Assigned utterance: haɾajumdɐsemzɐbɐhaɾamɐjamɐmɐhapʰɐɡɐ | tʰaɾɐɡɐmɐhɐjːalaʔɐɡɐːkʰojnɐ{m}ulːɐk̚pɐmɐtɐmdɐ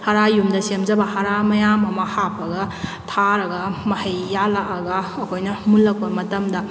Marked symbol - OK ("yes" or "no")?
yes